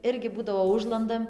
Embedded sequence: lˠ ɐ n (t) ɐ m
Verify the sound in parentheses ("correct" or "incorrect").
incorrect